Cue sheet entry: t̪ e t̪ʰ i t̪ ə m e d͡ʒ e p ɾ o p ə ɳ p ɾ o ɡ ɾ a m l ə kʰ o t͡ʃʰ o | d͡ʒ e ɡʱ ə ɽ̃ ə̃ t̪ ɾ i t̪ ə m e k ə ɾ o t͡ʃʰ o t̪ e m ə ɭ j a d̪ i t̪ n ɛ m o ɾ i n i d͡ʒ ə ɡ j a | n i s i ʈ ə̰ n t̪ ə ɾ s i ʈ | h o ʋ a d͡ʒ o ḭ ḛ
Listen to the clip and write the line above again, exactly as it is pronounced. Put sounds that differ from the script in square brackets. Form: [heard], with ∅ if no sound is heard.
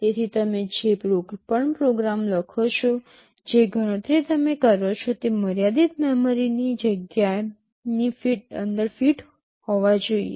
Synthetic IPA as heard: t̪ e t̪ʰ i t̪ ə m e d͡ʒ e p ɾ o p ə ɳ p ɾ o ɡ ɾ a m l ə kʰ o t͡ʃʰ o | d͡ʒ e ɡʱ ə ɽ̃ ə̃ t̪ ɾ i t̪ ə m e k ə ɾ o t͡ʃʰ o t̪ e m ə [ɾ] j a d̪ i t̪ [m] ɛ m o ɾ i n i d͡ʒ ə ɡ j a | n i [f] i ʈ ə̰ n [d̪] ə ɾ [f] i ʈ | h o ʋ a d͡ʒ o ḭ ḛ